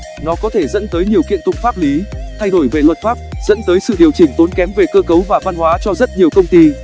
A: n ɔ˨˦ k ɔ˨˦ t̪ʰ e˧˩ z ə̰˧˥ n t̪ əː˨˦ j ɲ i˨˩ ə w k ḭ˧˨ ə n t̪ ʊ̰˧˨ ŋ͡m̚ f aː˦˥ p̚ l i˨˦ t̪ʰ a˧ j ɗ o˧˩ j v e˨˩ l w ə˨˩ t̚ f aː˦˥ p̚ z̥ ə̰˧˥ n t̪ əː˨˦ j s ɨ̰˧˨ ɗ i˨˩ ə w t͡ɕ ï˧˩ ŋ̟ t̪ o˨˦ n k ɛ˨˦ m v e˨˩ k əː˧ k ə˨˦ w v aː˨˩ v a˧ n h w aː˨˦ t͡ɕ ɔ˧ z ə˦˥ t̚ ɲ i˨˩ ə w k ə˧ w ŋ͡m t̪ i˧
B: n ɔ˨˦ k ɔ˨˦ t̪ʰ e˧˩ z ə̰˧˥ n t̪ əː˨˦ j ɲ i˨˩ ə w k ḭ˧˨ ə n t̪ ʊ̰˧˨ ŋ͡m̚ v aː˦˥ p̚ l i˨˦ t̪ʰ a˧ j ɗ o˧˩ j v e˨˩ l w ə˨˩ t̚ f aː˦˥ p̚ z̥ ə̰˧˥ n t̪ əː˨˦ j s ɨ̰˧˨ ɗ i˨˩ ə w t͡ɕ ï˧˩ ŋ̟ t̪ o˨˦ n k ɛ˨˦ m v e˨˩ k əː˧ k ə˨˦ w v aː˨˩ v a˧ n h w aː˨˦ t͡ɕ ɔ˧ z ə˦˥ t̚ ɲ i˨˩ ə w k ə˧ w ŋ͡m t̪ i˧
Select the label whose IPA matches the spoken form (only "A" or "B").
A